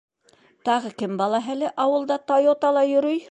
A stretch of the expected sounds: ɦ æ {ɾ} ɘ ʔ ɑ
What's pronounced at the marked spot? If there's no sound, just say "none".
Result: l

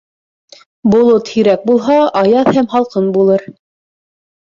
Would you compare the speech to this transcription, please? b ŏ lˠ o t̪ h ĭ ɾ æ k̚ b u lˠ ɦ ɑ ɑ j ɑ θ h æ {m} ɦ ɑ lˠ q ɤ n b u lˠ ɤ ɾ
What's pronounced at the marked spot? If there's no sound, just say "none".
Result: m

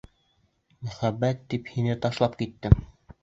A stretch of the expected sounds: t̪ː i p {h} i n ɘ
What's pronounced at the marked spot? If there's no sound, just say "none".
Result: h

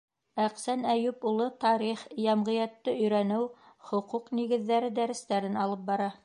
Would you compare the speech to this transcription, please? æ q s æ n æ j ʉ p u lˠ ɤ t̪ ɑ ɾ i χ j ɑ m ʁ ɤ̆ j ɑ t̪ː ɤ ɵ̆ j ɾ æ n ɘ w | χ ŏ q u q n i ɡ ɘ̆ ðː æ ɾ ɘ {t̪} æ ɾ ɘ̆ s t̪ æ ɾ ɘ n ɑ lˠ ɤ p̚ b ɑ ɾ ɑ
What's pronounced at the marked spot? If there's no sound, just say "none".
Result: d̪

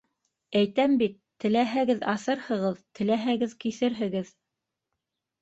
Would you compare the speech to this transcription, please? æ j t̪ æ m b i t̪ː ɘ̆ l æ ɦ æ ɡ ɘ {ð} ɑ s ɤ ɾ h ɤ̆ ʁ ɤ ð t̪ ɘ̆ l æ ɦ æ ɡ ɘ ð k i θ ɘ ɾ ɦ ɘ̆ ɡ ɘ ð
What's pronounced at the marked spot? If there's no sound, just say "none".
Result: ð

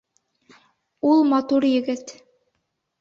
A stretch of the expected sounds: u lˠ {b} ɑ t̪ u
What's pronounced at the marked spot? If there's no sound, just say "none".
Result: m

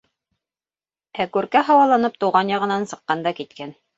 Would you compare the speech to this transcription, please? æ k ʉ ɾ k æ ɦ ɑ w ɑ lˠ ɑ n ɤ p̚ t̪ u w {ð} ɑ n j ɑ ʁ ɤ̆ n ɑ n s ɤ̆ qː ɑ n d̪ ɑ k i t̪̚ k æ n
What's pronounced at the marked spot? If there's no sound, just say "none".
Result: ʁ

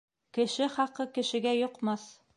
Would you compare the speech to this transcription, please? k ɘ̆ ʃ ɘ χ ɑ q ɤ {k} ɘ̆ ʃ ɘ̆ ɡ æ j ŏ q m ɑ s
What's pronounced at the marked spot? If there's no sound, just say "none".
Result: k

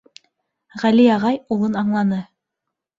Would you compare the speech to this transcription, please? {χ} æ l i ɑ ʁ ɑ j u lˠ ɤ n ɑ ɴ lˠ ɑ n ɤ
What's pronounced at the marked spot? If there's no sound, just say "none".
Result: ʁ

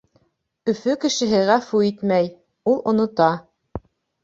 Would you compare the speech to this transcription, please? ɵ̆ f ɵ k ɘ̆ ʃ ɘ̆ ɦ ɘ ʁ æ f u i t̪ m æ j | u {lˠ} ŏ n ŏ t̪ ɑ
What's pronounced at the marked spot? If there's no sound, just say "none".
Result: lˠ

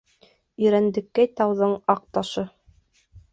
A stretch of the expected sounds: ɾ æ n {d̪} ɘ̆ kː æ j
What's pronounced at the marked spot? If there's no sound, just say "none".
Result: d̪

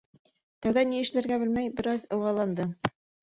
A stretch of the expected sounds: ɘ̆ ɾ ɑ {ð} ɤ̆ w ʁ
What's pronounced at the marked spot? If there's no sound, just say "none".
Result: ð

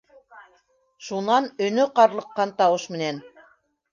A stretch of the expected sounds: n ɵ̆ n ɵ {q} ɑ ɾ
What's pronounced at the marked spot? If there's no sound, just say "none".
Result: q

